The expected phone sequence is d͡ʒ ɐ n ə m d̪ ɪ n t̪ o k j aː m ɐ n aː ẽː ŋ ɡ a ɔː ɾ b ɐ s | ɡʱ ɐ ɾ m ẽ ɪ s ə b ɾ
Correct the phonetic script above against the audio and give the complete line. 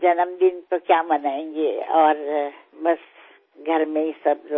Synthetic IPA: d͡ʒ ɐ n ə m d̪ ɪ n t̪ o k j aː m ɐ n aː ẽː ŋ ɡ e ɔː ɾ b ɐ s | ɡʱ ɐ ɾ m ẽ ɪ s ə b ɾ